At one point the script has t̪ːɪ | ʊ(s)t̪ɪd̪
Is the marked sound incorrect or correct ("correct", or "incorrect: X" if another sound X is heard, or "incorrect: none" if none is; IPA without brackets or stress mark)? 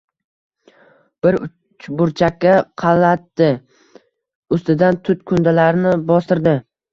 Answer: correct